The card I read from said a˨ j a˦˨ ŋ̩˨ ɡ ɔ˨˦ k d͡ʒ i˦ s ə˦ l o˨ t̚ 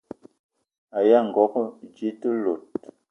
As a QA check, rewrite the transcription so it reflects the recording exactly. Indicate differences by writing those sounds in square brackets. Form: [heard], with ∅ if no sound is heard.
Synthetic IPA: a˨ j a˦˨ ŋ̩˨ ɡ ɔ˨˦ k d͡ʒ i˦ [t] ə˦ l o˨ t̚